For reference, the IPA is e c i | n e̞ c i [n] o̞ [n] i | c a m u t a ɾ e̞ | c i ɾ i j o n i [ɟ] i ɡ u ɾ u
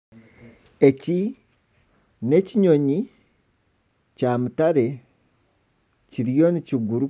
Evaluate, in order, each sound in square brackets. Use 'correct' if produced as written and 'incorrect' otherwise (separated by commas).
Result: incorrect, incorrect, incorrect